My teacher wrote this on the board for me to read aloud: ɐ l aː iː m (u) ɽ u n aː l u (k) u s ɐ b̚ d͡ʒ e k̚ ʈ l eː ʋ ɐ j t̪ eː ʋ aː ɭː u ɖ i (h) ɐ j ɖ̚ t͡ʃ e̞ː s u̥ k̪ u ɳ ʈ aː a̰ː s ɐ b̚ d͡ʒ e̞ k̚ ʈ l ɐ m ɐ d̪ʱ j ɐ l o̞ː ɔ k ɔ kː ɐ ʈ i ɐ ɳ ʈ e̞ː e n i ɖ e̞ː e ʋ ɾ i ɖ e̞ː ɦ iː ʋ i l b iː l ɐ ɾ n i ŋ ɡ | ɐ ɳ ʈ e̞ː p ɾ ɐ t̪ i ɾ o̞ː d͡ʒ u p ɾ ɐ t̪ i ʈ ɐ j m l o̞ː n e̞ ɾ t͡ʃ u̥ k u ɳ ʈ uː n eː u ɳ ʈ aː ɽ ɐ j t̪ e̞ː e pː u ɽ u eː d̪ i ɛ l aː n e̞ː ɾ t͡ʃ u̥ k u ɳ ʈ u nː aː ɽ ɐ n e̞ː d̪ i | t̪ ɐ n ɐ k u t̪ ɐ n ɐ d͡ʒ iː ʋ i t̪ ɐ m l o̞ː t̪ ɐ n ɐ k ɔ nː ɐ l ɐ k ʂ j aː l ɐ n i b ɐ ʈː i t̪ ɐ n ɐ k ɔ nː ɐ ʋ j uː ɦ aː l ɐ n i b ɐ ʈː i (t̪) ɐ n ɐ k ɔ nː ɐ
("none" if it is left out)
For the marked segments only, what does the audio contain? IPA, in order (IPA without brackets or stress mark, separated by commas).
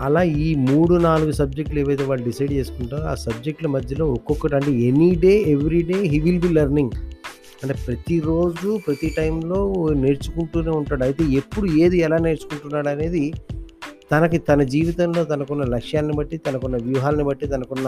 uː, ɡ, s, t̪